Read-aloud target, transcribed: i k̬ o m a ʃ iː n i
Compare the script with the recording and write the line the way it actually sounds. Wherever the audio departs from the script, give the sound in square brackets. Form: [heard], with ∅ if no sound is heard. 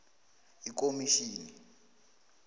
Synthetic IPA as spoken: i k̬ o m [i] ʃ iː n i